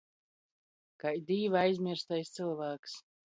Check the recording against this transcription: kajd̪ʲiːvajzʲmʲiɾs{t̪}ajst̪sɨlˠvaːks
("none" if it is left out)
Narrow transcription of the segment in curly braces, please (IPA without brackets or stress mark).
t̪